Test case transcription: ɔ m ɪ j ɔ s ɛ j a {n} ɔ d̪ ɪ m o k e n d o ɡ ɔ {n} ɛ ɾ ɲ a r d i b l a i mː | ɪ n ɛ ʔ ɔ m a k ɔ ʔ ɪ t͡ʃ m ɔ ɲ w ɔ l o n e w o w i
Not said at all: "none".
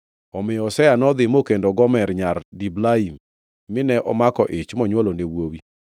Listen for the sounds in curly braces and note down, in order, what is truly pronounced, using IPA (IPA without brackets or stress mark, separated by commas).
n, m